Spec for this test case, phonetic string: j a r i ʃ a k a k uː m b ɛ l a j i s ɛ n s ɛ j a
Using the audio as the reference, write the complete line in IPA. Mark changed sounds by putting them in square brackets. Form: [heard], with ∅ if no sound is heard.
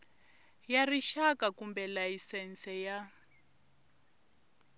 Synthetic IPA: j a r i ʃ a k a k [u] m b ɛ l a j i s ɛ n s ɛ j a